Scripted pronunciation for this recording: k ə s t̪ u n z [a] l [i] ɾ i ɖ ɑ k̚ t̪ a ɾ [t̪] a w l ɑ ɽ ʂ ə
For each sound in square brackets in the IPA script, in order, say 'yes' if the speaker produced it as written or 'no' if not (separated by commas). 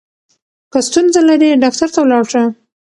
yes, no, yes